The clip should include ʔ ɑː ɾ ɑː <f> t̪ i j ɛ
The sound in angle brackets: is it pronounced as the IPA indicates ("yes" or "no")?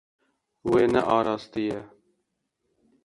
no